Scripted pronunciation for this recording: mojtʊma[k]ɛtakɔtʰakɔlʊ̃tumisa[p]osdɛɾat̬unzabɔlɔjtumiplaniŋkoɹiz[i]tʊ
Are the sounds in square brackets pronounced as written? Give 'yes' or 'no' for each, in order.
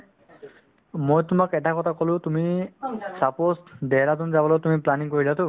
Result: yes, yes, no

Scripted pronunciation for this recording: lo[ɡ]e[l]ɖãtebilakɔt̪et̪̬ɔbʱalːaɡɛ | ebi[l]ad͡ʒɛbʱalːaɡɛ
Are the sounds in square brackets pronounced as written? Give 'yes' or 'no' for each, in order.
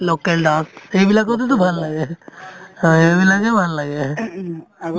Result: no, yes, yes

